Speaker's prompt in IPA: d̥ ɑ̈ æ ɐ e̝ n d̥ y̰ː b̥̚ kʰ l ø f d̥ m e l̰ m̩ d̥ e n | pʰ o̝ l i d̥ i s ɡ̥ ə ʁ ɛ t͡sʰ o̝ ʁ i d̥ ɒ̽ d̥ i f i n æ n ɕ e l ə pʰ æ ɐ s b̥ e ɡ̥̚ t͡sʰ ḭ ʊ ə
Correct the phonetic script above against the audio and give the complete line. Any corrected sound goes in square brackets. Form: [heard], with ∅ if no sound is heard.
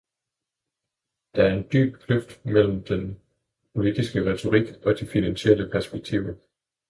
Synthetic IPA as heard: d̥ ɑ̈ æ ɐ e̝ n d̥ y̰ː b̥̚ kʰ l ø f d̥ m e l̰ m̩ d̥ e n | pʰ o̝ l i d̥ i s ɡ̥ ə ʁ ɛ t͡sʰ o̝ ʁ i [ɡ̥] ɒ̽ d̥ i f i n æ n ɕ e l ə pʰ æ ɐ s b̥ e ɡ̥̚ t͡sʰ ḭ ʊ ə